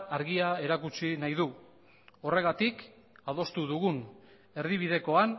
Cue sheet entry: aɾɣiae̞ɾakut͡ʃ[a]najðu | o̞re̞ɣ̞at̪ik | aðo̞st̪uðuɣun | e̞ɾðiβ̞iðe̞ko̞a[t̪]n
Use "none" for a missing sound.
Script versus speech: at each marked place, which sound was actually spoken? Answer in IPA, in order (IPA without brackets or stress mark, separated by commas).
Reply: i, none